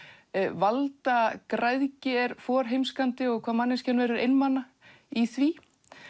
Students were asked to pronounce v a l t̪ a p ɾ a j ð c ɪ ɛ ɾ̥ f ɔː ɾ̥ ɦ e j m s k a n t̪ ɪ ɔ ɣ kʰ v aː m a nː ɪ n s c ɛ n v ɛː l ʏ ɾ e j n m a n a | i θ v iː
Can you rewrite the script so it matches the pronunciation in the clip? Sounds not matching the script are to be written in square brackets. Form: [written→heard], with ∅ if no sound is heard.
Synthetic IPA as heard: v a l t̪ a [p→k] ɾ a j ð c ɪ ɛ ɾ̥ f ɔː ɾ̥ ɦ e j m s k a n t̪ ɪ ɔ ɣ kʰ v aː m a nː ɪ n s c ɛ n v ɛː [l→ɾ] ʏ ɾ e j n m a n a | i θ v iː